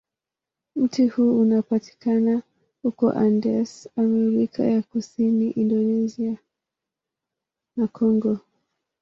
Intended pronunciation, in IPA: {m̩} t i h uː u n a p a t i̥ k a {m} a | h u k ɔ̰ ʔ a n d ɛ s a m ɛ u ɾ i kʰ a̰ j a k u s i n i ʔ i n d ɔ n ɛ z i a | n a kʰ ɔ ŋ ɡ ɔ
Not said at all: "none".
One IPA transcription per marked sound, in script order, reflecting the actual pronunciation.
m̩, n

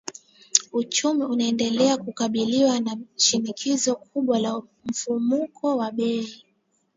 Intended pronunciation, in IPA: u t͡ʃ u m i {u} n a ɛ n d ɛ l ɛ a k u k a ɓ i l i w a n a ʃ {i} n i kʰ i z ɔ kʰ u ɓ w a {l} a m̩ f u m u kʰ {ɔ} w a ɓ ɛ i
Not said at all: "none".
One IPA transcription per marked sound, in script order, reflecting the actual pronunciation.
u, i, l, ɔ

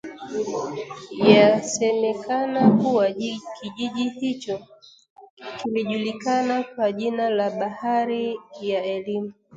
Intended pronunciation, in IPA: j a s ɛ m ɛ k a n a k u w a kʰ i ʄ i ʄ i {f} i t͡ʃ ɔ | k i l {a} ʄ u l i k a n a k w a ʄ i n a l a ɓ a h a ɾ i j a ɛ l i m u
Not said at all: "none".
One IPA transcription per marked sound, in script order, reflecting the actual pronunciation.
h, i

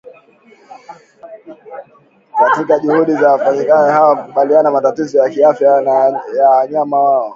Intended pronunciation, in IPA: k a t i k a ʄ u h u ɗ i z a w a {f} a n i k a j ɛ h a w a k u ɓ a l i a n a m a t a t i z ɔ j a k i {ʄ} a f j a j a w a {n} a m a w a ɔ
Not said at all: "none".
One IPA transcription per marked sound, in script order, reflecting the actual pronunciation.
f, none, ɲ

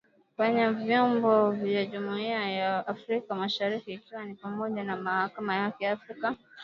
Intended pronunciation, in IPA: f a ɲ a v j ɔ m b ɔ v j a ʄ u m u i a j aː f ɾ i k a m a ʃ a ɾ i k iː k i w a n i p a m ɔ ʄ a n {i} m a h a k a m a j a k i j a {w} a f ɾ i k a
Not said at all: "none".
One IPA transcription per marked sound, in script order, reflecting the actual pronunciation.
a, none

